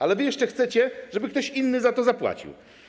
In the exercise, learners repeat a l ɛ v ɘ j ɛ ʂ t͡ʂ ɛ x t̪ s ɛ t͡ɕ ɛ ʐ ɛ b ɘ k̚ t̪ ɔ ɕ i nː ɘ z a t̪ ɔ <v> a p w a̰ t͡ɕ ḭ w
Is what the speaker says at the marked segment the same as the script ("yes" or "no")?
no